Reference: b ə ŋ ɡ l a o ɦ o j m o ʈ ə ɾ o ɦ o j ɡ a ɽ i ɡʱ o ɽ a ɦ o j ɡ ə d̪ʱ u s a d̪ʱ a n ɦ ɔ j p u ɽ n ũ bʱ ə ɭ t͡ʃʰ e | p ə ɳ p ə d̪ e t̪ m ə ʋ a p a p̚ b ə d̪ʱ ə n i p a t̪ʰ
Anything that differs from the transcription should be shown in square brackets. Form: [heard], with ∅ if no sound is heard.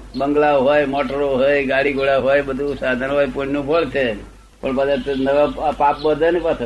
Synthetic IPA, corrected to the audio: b ə ŋ ɡ l a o ɦ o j m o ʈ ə ɾ o ɦ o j ɡ a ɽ i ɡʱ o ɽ a ɦ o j [b] ə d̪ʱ u s a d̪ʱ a n ɦ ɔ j p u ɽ n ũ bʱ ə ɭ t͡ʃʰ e | p ə ɳ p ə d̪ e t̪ [n] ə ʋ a p a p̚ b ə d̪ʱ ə n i p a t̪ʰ